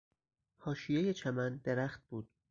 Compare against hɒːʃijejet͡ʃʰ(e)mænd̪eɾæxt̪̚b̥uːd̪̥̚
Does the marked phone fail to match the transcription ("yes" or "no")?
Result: yes